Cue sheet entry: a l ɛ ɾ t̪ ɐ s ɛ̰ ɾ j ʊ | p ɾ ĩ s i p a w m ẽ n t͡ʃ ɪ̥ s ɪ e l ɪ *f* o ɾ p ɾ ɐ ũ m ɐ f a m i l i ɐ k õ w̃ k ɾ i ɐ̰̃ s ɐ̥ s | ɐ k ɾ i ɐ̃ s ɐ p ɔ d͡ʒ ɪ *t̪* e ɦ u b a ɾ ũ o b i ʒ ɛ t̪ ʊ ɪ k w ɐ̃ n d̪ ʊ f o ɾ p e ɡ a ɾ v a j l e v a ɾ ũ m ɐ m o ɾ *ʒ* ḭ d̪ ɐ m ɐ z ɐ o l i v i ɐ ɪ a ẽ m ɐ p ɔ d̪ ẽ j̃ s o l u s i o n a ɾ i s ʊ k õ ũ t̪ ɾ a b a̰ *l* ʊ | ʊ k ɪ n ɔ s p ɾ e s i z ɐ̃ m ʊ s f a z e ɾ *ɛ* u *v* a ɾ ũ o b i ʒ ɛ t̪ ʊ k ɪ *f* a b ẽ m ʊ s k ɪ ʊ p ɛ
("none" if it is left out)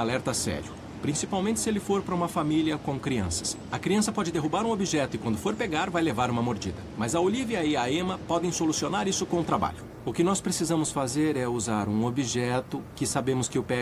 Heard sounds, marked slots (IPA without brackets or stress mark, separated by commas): f, d̪, d͡ʒ, ʎ, ɛ, z, s